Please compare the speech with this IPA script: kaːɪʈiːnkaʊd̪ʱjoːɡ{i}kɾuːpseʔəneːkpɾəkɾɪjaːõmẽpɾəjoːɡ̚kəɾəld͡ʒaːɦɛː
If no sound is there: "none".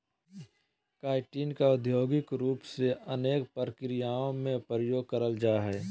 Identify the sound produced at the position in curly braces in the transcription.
ɪ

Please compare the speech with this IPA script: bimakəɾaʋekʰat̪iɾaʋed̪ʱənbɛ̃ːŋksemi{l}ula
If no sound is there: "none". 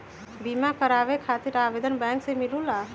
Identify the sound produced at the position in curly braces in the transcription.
l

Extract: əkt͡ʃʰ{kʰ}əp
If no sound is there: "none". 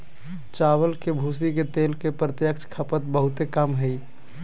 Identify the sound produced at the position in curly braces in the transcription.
kʰ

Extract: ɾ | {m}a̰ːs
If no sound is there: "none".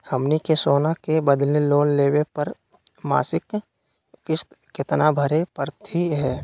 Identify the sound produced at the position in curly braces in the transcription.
m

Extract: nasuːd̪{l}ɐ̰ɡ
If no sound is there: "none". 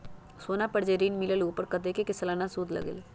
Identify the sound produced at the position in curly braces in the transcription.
l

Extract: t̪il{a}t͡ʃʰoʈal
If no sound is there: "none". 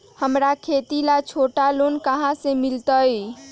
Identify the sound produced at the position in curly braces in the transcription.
a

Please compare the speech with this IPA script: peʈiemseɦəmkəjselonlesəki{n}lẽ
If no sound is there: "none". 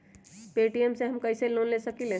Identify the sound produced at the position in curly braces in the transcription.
none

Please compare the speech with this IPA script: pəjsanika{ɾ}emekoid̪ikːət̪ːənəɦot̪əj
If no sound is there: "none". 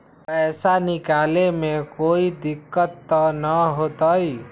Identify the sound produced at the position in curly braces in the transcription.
l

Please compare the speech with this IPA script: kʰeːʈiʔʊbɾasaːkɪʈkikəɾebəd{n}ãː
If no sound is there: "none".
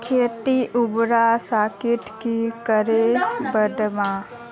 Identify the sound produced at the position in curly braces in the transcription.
m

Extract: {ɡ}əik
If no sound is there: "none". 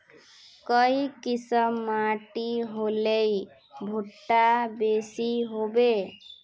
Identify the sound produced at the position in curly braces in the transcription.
k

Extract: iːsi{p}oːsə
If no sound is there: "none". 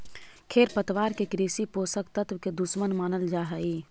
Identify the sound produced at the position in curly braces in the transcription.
p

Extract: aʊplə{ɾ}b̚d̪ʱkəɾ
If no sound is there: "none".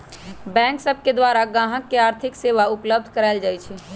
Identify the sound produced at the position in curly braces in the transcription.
none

